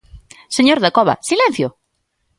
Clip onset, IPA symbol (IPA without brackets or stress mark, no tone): s